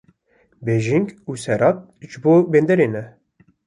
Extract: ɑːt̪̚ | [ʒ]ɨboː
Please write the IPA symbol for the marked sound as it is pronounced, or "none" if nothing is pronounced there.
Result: ʒ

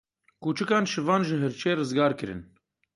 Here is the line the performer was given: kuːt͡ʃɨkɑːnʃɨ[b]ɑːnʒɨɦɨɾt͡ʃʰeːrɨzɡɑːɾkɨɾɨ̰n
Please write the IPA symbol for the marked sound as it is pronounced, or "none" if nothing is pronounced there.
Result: v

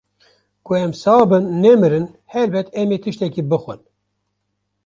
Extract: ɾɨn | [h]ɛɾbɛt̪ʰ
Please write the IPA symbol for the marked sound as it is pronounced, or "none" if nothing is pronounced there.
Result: h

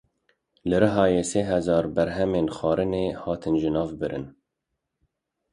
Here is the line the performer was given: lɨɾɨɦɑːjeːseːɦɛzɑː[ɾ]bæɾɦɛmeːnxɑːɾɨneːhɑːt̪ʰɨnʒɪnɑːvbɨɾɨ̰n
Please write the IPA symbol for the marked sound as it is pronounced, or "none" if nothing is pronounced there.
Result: ɾ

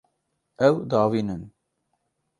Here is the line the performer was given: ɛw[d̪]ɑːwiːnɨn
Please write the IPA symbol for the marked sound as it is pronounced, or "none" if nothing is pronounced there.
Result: d̪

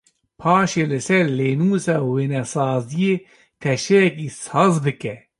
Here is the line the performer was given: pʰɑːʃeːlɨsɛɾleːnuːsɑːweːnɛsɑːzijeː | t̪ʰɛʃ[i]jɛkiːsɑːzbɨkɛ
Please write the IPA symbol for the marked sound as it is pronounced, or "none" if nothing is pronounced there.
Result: ɛ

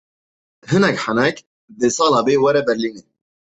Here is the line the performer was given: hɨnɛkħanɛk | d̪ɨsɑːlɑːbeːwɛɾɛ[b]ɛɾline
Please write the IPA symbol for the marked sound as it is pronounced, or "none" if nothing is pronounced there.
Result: b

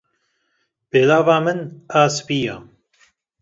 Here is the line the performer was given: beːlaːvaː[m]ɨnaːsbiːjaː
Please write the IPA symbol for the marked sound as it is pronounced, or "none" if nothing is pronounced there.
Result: m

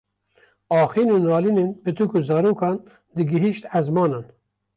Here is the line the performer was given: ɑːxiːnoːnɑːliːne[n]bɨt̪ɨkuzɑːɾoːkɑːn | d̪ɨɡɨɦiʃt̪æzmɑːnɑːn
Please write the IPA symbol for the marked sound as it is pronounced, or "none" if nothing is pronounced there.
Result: n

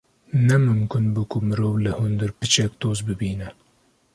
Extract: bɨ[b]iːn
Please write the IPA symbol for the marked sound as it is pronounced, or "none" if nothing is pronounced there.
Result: b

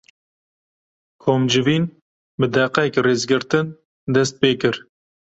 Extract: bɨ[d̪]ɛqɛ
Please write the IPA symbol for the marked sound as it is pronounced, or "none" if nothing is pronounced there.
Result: d̪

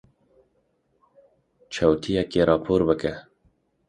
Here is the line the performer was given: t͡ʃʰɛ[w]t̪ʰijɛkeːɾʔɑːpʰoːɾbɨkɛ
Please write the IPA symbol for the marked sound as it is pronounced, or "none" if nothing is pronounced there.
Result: w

